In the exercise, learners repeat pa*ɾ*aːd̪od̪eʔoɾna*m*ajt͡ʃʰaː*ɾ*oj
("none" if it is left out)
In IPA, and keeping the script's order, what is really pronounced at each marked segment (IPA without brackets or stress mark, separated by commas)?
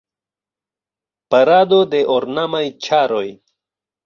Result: ɾ, m, ɾ